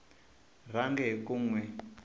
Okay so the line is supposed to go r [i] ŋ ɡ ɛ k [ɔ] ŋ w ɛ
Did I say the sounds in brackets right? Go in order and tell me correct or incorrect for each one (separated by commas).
incorrect, incorrect